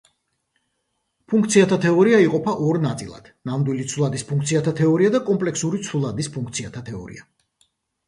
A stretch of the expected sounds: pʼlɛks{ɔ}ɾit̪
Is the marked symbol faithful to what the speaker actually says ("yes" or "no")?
no